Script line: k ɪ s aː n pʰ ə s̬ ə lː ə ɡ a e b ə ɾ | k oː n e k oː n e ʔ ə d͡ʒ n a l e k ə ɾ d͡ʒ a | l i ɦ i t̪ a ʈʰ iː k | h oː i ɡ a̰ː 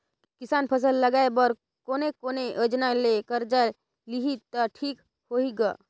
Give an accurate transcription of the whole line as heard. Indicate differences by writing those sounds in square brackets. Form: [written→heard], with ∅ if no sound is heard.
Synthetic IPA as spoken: k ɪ s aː n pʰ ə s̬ ə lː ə ɡ a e b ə ɾ | k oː n e k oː n e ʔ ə d͡ʒ n a l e k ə ɾ d͡ʒ a | l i ɦ i t̪ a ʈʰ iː k | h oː i ɡ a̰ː